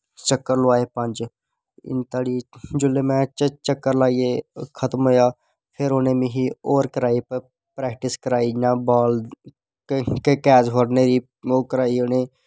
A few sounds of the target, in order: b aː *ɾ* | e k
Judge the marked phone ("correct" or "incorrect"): incorrect